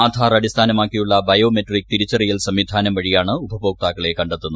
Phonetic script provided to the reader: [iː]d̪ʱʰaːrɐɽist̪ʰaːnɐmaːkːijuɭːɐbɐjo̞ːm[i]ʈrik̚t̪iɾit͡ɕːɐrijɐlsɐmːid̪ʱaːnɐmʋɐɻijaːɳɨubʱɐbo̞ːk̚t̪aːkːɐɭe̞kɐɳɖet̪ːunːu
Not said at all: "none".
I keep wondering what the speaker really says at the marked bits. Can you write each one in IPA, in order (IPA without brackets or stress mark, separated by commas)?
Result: aː, e